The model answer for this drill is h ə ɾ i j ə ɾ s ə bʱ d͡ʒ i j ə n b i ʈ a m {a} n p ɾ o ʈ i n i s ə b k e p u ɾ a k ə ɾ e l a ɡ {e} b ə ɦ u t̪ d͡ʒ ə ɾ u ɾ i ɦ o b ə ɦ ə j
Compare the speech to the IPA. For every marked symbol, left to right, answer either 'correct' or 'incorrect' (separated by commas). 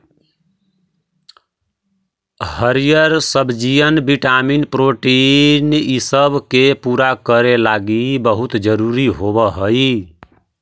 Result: incorrect, incorrect